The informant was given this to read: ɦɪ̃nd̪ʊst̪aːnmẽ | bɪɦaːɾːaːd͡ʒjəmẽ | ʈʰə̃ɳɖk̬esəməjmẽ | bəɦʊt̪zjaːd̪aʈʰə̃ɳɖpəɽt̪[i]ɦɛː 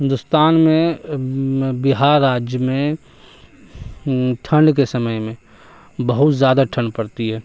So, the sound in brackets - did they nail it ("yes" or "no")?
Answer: yes